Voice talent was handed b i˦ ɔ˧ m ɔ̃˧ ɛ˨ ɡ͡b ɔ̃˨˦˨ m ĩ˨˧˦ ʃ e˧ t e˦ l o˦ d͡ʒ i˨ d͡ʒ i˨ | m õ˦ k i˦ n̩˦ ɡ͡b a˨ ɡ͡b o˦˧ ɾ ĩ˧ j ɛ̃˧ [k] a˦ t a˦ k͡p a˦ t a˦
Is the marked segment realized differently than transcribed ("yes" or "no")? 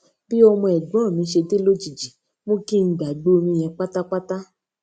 yes